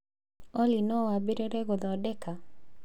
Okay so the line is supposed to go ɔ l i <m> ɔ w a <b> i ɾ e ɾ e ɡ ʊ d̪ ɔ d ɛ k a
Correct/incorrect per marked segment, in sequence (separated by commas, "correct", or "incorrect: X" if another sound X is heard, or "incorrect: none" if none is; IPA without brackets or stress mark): incorrect: n, correct